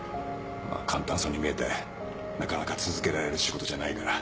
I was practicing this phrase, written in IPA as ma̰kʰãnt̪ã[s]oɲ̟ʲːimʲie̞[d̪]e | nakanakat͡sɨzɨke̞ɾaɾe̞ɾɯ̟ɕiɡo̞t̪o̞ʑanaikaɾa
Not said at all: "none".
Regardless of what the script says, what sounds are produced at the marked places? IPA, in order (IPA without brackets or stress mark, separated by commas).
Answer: s, t̪